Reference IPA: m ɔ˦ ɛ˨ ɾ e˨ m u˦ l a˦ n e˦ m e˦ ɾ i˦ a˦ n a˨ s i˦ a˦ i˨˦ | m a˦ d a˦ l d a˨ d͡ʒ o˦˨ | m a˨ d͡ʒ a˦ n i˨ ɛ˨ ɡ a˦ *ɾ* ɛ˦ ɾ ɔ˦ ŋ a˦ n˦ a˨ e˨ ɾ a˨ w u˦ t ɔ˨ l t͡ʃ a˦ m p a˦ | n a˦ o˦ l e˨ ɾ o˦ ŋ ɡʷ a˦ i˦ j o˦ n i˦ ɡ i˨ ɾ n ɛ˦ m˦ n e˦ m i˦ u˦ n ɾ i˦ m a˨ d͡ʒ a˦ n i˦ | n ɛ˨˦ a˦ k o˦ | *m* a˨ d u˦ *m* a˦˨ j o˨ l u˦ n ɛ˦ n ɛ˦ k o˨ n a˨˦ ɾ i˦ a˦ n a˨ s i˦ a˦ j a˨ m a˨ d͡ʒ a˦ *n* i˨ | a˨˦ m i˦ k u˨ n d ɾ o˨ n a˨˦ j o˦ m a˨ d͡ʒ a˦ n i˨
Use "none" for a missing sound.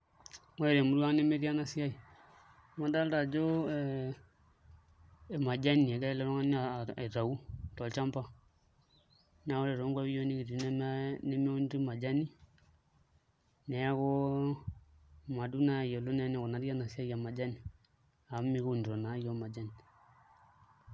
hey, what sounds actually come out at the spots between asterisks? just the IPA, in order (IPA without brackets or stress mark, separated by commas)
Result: l, m, n, n